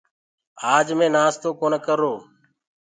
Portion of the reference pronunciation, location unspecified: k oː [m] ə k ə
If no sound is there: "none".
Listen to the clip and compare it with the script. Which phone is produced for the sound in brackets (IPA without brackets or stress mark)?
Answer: n